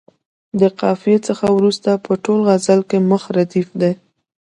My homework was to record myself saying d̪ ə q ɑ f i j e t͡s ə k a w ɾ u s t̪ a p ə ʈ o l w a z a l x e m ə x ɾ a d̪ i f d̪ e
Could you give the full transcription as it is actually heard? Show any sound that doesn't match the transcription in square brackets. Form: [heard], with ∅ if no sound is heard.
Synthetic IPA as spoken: d̪ ə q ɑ f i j e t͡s ə [x] a w ɾ u s t̪ a p ə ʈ o l [ɣ] a z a l [k] e m ə x ɾ a d̪ i f d̪ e